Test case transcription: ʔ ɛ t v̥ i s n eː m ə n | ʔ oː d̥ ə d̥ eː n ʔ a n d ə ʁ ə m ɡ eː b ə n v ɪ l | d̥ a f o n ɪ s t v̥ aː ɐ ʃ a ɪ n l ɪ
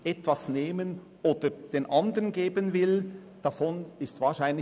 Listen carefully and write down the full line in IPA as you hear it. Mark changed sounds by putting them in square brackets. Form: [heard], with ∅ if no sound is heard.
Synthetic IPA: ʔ ɛ t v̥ [a] s n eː m ə n | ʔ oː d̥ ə d̥ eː n ʔ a n d ə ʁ ə [n] ɡ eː b ə n v ɪ l | d̥ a f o n ɪ s t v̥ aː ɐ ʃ a ɪ n l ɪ